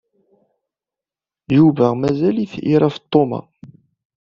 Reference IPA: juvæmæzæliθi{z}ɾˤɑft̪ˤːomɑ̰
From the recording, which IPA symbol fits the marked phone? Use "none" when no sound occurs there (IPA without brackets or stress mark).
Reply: none